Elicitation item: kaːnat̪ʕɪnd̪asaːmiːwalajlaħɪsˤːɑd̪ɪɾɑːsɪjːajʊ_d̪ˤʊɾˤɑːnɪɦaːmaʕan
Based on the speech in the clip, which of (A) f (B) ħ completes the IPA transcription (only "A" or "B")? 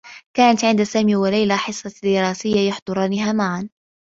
B